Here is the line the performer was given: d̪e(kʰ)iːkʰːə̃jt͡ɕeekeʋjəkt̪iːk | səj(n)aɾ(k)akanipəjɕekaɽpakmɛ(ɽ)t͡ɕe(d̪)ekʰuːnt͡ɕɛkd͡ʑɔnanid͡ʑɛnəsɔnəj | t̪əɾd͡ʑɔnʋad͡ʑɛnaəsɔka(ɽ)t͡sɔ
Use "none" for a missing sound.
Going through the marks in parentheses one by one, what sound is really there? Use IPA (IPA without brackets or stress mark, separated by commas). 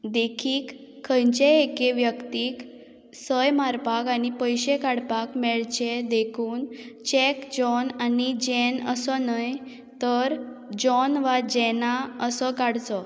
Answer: kʰ, m, p, ɭ, d̪, ɽ